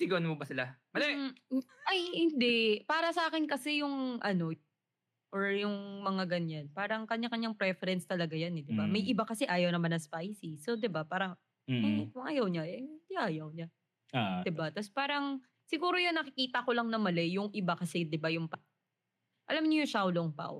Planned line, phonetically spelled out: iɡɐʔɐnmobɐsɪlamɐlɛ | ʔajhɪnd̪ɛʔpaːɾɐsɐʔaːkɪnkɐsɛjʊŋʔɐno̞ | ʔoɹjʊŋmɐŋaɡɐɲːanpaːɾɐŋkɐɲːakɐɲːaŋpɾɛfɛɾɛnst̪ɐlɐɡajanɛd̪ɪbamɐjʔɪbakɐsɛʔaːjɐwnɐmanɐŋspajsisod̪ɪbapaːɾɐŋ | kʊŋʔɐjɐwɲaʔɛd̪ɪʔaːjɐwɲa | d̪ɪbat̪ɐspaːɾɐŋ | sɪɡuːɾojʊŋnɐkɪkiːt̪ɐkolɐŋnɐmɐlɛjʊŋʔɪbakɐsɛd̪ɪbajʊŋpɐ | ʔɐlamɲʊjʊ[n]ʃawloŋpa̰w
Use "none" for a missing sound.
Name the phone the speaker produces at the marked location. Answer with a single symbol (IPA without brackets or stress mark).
ŋ